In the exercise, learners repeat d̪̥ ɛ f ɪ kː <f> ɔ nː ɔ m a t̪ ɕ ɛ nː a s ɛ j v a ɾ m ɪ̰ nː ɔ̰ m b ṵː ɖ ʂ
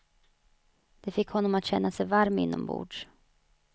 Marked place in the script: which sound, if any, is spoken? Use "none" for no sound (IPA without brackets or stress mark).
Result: h